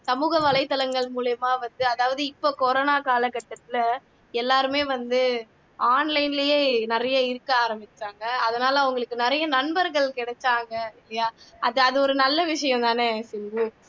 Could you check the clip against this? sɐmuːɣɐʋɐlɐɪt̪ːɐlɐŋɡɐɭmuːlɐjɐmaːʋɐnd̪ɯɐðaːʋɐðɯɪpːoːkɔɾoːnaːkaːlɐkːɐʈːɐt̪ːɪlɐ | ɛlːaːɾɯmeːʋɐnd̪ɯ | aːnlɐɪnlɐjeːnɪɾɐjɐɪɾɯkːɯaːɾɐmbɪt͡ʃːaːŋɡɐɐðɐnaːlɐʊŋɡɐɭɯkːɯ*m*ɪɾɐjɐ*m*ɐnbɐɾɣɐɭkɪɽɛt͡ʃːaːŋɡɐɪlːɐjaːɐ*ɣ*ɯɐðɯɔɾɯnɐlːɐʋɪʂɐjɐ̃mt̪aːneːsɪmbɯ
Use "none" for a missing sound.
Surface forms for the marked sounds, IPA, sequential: n, n, ð

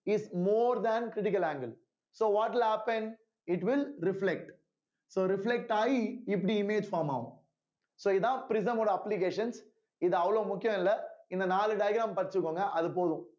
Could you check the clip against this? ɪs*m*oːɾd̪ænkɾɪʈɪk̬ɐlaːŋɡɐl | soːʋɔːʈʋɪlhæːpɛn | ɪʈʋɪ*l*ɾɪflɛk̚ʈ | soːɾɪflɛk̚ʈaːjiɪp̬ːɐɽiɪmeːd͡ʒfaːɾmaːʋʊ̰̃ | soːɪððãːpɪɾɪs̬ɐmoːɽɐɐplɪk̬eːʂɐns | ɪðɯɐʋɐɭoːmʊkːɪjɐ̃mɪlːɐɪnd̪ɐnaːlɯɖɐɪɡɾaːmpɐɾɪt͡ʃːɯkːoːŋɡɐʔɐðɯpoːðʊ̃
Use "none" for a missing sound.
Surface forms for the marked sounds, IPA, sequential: m, l

